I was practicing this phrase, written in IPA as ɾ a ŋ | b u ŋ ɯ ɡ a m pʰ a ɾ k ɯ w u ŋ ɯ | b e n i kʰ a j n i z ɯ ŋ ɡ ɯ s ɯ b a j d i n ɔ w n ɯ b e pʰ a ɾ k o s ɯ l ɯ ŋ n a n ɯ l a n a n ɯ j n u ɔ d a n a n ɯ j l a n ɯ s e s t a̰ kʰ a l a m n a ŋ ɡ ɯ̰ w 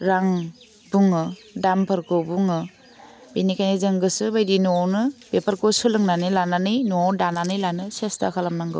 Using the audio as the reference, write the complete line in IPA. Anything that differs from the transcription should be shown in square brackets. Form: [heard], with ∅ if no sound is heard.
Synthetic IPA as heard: ɾ a ŋ | b u ŋ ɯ [d] a m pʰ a ɾ k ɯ [b] u ŋ ɯ | b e n i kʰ a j n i z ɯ ŋ ɡ ɯ s ɯ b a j d i n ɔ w n ɯ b e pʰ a ɾ k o s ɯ l ɯ ŋ n a n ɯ l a n a n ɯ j n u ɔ d a n a n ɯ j l a n ɯ s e s t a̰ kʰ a l a m n a ŋ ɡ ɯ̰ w

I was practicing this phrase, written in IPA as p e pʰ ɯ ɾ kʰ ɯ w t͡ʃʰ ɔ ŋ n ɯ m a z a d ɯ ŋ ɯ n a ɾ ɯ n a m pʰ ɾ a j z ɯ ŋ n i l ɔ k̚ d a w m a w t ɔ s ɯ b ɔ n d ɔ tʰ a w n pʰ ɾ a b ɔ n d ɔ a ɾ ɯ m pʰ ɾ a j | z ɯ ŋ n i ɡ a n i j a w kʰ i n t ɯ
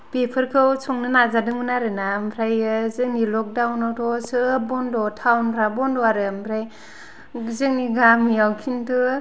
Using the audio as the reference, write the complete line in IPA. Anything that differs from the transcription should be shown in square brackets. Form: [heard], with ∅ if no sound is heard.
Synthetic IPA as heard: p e pʰ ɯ ɾ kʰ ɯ w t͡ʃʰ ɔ ŋ n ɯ [n] a z a d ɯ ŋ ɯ n a ɾ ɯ n a m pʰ ɾ a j z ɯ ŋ n i l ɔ k̚ d a w [n] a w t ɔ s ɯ b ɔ n d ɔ tʰ a w n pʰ ɾ a b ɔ n d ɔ a ɾ ɯ m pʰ ɾ a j | z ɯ ŋ n i ɡ a [m] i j a w kʰ i n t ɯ

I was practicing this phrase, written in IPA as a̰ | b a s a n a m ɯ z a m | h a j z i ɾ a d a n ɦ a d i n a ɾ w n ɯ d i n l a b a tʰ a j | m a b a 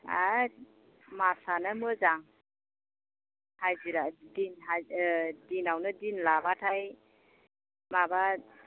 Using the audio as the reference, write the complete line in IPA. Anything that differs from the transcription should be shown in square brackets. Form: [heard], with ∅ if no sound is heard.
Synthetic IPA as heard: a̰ | [m] a s a n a m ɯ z a [ŋ] | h a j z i ɾ a d [i] n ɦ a d i n a [∅] w n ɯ d i n l a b a tʰ a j | m a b a

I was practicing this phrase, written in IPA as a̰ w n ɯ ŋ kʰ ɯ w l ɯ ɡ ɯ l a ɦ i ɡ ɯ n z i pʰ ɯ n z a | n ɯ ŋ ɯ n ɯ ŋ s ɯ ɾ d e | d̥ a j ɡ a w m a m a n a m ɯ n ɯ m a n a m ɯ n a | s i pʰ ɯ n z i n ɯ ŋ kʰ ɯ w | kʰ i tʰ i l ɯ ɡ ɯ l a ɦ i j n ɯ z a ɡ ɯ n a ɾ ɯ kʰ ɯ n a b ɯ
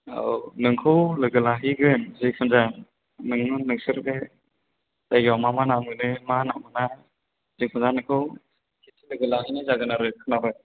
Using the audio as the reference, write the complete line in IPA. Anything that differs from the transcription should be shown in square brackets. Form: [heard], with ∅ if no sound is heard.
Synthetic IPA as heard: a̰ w n ɯ ŋ kʰ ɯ w l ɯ ɡ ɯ l a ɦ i ɡ ɯ n z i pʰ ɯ n z a | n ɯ ŋ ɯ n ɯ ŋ s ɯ ɾ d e | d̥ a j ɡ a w m a m a n a m ɯ n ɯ m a n a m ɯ n a | [z] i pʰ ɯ n z [a] n ɯ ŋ kʰ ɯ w | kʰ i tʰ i l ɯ ɡ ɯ l a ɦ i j n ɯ z a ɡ ɯ n a ɾ ɯ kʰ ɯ n a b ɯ

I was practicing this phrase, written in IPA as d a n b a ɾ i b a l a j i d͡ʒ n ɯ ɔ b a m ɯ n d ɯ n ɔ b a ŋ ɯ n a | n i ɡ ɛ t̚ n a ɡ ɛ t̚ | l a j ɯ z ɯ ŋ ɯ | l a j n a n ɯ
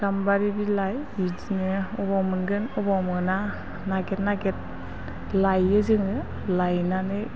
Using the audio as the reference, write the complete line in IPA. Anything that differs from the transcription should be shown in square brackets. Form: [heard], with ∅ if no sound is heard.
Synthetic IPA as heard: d a [m] b a ɾ i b [i] l a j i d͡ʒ n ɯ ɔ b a m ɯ n [ɡ] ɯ n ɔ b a [m] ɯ n a | n [a] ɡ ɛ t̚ n a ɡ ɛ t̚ | l a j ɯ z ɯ ŋ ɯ | l a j n a n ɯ

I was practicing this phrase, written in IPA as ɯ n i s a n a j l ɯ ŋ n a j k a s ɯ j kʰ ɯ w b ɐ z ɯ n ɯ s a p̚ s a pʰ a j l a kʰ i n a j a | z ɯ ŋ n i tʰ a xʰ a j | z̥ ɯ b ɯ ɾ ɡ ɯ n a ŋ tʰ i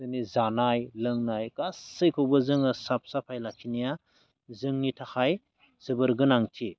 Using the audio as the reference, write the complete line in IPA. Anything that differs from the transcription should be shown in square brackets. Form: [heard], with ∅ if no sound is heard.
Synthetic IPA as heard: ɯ n i [z] a n a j l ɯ ŋ n a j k a s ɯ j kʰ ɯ w b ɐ z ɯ [ŋ] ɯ s a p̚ s a pʰ a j l a kʰ i n [i] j a | z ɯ ŋ n i tʰ a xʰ a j | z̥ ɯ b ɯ ɾ ɡ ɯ n a ŋ tʰ i

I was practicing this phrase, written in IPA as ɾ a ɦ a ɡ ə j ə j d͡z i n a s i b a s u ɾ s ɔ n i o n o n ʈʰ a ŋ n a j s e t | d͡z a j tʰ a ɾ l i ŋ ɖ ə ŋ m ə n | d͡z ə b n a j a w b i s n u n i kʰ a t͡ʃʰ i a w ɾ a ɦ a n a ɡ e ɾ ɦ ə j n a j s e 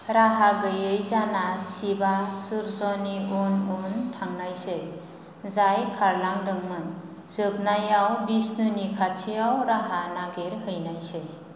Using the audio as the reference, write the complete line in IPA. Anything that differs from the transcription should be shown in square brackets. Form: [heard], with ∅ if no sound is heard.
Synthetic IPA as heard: ɾ a ɦ a ɡ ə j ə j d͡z [a] n a s i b a s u ɾ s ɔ n i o n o n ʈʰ a ŋ n a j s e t | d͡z a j [kʰ] a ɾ l [a] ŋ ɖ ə ŋ m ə n | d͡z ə b n a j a w b i s n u n i kʰ a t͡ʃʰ i a w ɾ a ɦ a n a ɡ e ɾ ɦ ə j n a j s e

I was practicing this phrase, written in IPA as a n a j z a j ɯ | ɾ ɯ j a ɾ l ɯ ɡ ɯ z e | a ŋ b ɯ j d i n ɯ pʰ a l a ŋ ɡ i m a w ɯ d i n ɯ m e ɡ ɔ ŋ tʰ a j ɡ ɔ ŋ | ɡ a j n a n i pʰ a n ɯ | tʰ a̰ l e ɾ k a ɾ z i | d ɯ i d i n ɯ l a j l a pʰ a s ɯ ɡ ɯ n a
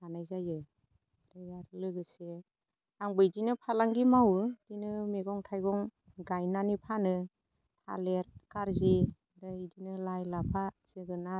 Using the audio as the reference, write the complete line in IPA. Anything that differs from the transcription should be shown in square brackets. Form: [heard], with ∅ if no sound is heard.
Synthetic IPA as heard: a n a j z a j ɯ | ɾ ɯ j a ɾ l ɯ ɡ ɯ [s] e | a ŋ b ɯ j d i n ɯ pʰ a l a ŋ ɡ i m a w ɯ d i n ɯ m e ɡ ɔ ŋ tʰ a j ɡ ɔ ŋ | ɡ a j n a n i pʰ a n ɯ | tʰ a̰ l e ɾ k a ɾ z i | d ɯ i d i n ɯ l a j l a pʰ a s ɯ ɡ ɯ n a

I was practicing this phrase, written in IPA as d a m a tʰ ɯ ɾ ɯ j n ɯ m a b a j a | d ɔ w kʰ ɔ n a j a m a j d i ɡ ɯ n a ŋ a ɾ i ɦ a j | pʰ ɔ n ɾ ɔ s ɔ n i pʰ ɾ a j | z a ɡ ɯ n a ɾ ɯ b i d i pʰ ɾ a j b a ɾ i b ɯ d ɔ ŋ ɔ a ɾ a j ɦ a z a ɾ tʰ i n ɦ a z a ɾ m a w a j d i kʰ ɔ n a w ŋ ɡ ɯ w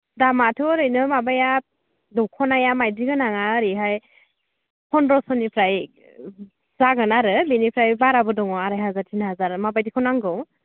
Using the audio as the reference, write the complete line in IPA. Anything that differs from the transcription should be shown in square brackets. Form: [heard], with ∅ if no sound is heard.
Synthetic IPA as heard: d a m a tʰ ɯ ɾ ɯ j n ɯ m a b a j a | d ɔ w kʰ ɔ n a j a m a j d i ɡ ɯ n a ŋ a ɾ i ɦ a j | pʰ ɔ n ɾ ɔ s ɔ n i pʰ ɾ a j | z a ɡ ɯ n a ɾ ɯ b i [n] i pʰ ɾ a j b a ɾ [a] b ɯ d ɔ ŋ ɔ a ɾ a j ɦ a z a ɾ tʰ i n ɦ a z a ɾ m a [b] a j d i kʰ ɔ n a [∅] ŋ ɡ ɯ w

